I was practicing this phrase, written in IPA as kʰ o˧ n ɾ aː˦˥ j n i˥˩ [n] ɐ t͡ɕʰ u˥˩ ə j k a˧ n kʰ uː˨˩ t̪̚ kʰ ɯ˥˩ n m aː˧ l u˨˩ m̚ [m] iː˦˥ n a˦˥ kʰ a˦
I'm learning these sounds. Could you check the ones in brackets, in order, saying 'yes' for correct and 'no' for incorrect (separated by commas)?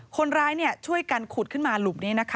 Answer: no, no